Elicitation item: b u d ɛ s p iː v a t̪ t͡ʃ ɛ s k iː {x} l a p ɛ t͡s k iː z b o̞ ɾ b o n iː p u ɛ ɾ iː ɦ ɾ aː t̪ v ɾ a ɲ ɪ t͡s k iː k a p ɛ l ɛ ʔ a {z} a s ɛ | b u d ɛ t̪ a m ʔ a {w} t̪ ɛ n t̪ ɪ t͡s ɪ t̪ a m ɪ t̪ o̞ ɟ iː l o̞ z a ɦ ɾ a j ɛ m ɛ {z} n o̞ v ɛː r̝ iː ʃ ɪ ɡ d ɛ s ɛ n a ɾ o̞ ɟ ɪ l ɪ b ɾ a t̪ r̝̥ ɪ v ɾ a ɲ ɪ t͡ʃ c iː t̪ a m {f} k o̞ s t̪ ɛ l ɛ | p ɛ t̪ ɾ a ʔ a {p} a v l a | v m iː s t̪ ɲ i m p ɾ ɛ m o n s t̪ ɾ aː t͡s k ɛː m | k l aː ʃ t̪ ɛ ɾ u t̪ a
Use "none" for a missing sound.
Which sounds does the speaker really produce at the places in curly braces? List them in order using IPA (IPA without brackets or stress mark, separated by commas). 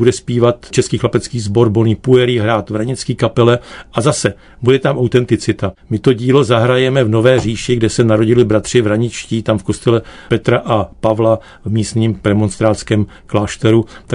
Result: x, z, w, v, f, p